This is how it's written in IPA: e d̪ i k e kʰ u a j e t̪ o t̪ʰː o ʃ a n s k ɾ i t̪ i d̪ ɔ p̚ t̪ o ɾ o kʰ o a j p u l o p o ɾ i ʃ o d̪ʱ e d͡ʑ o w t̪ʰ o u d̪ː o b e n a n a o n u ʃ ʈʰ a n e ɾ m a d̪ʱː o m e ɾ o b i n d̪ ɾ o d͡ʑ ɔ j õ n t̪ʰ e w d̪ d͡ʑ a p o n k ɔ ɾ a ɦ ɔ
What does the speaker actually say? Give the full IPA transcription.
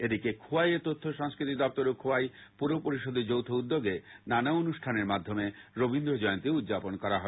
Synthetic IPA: e d̪ i k e kʰ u a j e t̪ o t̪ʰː o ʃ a ŋ s k ɾ i t̪ i d̪ ɔ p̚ t̪ o ɾ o kʰ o a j p u ɾ o p o ɾ i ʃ o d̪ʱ e d͡ʑ o w t̪ʰ o u d̪ː o ɡ e n a n a o n u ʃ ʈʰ a n e ɾ m a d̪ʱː o m e ɾ o b i n d̪ ɾ o d͡ʑ ɔ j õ n t̪ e u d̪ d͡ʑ a p o n k ɔ ɾ a ɦ ɔ